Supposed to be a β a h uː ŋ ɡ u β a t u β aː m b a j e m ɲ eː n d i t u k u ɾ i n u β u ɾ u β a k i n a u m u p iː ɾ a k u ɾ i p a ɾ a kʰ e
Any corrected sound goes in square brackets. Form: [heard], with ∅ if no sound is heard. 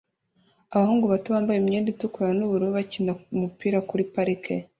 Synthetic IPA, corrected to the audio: a β a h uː ŋ ɡ u β a t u β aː m b a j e m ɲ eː n d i t u k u ɾ [a] n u β u ɾ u β a [c] i n a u m u p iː ɾ a k u ɾ i p a ɾ [i] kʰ e